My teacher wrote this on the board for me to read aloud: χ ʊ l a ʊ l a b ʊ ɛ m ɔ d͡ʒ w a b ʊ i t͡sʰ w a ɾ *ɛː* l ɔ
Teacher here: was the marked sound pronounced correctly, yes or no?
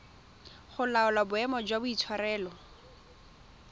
yes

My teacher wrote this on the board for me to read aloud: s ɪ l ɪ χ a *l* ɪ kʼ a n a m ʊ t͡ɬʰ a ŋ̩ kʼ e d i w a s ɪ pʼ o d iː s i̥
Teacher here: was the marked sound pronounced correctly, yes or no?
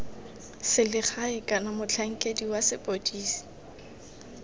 no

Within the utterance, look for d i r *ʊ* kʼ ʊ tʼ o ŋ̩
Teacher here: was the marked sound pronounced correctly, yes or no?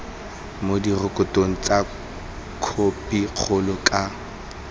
yes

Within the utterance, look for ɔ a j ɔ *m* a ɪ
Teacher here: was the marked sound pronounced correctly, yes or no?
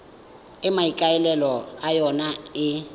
no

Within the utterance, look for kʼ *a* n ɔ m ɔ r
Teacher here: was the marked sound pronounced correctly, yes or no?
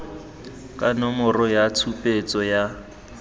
yes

